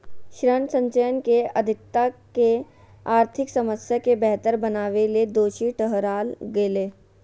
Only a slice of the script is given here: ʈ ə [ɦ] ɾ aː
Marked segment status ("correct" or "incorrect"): correct